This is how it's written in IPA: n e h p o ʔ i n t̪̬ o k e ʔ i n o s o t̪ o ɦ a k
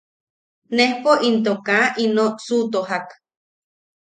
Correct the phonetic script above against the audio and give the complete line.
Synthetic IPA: n e h p o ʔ i n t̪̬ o k a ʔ i n o s u t̪ o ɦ a k